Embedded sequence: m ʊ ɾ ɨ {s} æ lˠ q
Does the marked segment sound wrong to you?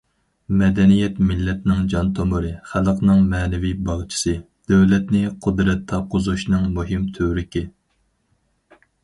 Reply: yes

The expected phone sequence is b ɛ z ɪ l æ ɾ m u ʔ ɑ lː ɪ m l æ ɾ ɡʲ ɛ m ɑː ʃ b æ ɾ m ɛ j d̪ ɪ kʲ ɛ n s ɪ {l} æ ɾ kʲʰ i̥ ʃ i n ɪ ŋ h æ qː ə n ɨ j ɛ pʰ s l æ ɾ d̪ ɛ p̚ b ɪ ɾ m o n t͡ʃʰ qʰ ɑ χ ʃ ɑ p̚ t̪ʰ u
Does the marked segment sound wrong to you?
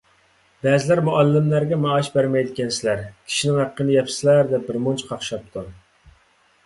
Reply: no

